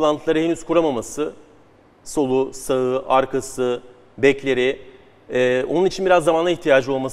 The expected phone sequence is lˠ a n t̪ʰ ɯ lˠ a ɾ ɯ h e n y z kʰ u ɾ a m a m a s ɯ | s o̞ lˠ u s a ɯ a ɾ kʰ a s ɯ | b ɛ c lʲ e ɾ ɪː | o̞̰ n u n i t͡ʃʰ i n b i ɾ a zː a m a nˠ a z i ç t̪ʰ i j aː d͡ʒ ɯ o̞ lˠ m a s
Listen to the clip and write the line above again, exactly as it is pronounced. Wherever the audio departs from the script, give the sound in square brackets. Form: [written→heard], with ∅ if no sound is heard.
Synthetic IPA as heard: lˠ a n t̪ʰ ɯ lˠ a ɾ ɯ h e n y z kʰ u ɾ a m a m a s ɯ | s o̞ lˠ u s a ɯ a ɾ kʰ a s ɯ | b ɛ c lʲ e ɾ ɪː | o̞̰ n u n i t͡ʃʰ i n b i ɾ a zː a m a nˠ a [z→∅] i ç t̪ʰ i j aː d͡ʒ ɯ o̞ lˠ m a s